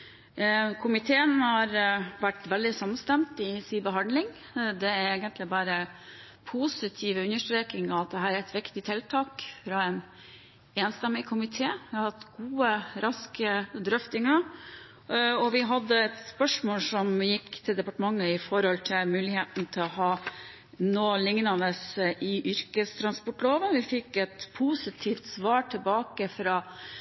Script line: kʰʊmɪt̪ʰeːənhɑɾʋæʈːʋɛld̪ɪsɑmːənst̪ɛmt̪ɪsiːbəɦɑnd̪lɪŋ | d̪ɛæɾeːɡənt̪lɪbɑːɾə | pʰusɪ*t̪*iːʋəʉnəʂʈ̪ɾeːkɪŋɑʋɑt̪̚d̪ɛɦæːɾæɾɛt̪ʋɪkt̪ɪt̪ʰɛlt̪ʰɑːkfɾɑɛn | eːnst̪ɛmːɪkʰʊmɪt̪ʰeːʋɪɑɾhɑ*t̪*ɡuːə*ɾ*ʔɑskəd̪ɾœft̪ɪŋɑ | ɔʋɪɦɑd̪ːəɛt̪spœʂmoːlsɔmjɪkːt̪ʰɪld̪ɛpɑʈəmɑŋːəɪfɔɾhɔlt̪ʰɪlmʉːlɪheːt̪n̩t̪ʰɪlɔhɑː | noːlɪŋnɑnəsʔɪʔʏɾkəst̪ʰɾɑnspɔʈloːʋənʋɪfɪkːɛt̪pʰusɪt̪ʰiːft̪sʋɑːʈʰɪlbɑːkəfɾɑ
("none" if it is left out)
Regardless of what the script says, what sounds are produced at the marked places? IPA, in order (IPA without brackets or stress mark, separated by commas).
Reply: t̪ʰ, t̪, ɾ